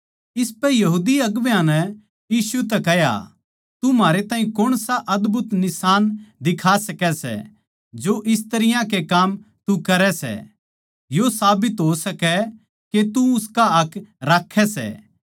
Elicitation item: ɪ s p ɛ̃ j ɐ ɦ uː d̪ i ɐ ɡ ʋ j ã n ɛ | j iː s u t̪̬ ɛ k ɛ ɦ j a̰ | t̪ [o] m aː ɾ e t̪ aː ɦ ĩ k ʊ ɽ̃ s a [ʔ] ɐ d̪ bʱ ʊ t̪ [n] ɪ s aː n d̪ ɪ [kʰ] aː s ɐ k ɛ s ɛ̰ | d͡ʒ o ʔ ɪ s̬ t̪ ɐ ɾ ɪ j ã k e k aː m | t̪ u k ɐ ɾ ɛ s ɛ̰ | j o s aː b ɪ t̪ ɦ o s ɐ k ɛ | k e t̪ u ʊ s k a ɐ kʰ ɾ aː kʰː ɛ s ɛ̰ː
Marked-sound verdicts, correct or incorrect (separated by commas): incorrect, correct, correct, correct